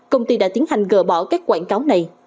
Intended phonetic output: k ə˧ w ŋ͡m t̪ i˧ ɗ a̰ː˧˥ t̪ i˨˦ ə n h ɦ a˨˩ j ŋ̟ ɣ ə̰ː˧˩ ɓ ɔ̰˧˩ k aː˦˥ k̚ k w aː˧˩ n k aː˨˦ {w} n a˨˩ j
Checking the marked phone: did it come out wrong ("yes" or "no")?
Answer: no